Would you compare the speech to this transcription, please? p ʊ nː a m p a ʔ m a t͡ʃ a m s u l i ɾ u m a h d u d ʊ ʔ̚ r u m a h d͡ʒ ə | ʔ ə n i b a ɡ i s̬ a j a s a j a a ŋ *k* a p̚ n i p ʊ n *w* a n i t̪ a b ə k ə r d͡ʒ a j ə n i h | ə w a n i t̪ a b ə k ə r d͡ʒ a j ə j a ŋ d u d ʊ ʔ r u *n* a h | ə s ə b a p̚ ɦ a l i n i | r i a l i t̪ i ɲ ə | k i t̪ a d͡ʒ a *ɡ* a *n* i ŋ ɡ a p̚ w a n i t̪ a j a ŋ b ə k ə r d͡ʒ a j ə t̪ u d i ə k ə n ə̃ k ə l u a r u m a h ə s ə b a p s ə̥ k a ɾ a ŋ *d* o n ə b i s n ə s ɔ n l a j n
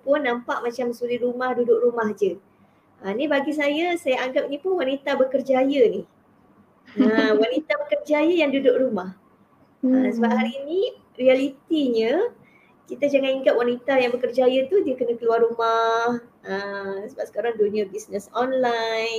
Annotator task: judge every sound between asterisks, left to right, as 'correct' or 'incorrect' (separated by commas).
incorrect, correct, incorrect, incorrect, correct, correct